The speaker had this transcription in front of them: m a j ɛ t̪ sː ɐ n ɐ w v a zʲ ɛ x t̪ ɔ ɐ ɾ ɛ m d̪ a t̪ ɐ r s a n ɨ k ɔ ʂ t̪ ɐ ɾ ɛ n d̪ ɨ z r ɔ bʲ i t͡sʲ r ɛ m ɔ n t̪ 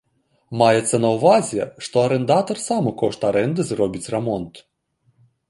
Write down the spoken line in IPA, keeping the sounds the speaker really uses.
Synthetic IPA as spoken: m a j ɛ t̪ sː ɐ n ɐ w v a zʲ ɛ ʂ t̪ ɔ ɐ ɾ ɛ n d̪ a t̪ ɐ r s a m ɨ k ɔ ʂ t̪ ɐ ɾ ɛ n d̪ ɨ z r ɔ bʲ i t͡sʲ r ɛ m ɔ n t̪

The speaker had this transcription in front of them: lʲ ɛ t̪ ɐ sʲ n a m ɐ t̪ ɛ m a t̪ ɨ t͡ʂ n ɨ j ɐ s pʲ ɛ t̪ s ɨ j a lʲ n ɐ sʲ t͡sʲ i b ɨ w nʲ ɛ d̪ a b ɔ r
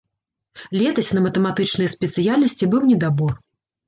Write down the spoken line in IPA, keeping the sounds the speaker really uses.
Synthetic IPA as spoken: lʲ ɛ t̪ ɐ sʲ n ɐ m ɐ t̪ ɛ m a t̪ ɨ t͡ʂ n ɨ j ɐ s pʲ ɛ t̪ s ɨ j a lʲ n ɐ sʲ t͡sʲ i b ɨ w nʲ ɛ d̪ a b ɔ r

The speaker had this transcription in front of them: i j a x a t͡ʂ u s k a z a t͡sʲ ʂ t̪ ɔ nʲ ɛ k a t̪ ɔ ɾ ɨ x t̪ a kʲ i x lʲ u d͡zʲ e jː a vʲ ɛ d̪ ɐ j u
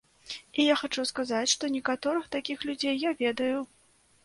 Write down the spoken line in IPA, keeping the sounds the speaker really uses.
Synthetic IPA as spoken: i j a x a t͡ʂ u s k a z a t͡sʲ ʂ t̪ ɔ nʲ ɛ k a t̪ ɔ ɾ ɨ x t̪ a kʲ i x lʲ u d͡zʲ e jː a vʲ ɛ d̪ ɐ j u

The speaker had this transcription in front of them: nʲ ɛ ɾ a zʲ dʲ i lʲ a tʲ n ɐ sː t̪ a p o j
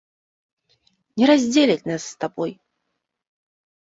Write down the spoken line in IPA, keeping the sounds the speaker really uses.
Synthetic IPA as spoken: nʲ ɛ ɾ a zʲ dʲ e lʲ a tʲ n a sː t̪ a b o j

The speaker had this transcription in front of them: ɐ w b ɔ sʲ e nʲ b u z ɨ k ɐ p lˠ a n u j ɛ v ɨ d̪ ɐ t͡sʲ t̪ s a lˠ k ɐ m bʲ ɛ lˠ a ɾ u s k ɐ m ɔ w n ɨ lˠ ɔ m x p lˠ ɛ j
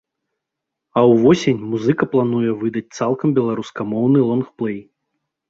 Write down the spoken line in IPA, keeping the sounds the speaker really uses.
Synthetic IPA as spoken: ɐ w v ɔ sʲ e nʲ m u z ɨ k ɐ p lˠ a n u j ɛ v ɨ d̪ ɐ t͡sʲ t̪ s a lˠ k ɐ m bʲ ɛ lˠ a ɾ u s k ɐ m ɔ w n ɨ lˠ ɔ n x p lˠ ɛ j

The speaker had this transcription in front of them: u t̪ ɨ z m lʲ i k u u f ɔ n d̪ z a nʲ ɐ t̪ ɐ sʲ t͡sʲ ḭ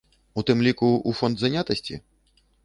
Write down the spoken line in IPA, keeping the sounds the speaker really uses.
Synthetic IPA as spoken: u t̪ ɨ m lʲ i k u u f ɔ n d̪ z a nʲ a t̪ ɐ sʲ t͡sʲ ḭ

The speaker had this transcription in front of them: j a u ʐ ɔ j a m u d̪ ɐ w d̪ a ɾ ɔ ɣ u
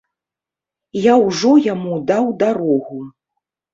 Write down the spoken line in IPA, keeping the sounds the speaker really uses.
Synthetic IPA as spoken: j a w ʐ ɔ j a m u d̪ a w d̪ a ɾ ɔ ɣ u

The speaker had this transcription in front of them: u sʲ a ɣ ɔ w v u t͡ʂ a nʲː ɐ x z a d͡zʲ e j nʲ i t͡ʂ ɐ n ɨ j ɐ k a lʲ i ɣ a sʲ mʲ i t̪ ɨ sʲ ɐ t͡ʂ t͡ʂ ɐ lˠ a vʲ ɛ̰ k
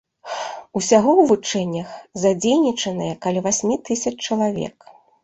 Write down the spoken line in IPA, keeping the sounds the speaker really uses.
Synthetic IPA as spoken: u sʲ a ɣ ɔ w v u t͡ʂ ɛ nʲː ɐ x z a d͡zʲ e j nʲ i t͡ʂ ɐ n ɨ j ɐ k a lʲ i v a sʲ mʲ i t̪ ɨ sʲ ɐ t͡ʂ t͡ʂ ɐ lˠ a vʲ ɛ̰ k

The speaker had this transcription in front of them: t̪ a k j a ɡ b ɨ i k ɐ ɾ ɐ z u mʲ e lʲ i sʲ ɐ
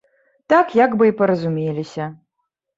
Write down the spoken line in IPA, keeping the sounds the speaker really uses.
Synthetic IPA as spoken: t̪ a k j a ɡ b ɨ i p ɐ ɾ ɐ z u mʲ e lʲ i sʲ ɐ

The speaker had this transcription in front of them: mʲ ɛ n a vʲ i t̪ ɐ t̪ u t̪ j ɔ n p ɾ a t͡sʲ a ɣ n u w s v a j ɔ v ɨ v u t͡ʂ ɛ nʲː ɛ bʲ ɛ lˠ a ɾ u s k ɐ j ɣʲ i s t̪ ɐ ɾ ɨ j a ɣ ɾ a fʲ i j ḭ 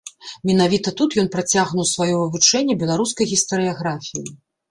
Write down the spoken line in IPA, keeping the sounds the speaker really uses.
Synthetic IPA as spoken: mʲ ɛ n a vʲ i t̪ ɐ t̪ u t̪ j ɔ n p ɾ a t͡sʲ a ɣ n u w s v a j ɔ v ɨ v u t͡ʂ ɛ nʲː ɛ bʲ ɛ lˠ a ɾ u s k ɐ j ɣʲ i s t̪ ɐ ɾ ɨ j a ɣ ɾ a fʲ i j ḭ

